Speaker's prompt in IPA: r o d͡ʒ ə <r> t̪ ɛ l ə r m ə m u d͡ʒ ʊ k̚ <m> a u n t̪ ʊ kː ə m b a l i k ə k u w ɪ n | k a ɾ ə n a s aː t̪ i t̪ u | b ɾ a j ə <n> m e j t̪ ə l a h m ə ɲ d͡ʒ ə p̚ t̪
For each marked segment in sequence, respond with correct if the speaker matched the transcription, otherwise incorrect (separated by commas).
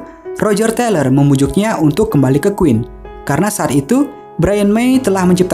correct, incorrect, correct